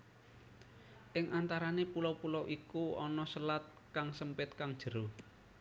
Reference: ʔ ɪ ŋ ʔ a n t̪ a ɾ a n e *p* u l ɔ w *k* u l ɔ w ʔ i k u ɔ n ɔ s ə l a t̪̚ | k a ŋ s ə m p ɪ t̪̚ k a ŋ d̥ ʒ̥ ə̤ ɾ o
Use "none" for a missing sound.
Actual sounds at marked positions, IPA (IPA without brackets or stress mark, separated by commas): p, p